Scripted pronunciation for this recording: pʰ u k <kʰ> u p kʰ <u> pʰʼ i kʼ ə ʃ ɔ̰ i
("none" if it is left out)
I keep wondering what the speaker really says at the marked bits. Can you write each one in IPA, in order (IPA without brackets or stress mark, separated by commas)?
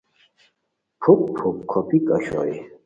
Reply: pʰ, ɔ